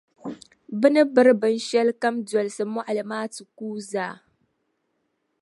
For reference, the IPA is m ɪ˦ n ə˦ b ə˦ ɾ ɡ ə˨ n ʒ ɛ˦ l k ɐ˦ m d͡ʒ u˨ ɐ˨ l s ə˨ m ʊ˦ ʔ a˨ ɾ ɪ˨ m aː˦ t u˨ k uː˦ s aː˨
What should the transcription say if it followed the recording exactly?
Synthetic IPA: b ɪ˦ n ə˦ b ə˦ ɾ b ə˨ n ʃ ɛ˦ l k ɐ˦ m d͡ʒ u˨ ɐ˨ l s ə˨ m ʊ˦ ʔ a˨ l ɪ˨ m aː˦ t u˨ k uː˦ z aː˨

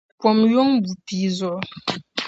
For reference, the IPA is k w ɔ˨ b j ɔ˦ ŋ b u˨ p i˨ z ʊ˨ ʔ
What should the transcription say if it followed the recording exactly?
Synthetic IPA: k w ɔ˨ m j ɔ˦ ŋ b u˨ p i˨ z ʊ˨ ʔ

